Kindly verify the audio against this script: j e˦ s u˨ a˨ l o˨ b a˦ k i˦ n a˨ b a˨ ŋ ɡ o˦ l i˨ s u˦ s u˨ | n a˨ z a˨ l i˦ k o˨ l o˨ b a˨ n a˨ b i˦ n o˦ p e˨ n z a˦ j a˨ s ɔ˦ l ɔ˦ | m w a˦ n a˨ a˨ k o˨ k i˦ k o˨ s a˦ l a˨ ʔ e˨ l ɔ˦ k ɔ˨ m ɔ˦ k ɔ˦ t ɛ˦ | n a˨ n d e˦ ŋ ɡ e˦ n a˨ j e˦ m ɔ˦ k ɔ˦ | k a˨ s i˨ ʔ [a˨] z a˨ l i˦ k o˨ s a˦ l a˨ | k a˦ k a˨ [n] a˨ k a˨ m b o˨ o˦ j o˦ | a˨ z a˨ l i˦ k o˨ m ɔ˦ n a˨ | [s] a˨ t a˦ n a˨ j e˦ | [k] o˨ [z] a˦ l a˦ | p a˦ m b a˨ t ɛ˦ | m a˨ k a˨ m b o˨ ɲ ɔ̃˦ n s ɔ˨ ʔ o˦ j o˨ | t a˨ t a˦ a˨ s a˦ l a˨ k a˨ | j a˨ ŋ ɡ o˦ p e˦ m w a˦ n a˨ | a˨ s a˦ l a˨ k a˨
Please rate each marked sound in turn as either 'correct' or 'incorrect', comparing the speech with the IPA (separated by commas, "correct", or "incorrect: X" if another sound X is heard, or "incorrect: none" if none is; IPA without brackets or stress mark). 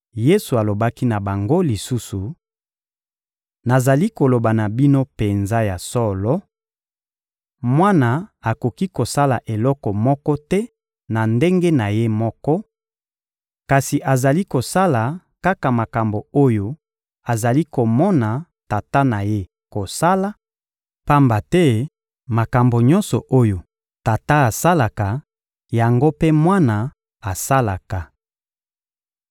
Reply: correct, incorrect: m, incorrect: t, correct, incorrect: s